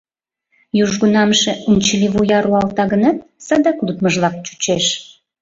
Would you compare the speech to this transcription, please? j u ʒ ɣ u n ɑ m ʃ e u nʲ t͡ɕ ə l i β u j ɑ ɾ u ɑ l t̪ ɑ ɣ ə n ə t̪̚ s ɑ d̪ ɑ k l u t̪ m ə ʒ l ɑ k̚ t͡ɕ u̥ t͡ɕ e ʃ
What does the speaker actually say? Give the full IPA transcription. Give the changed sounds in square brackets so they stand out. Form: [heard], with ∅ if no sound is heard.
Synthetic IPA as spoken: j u ʒ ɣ u n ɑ m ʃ e u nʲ t͡ɕ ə l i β u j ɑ ɾ u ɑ l t̪ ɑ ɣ ə n [ɑ] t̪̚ s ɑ d̪ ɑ k l u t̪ m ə ʒ l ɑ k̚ t͡ɕ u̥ t͡ɕ e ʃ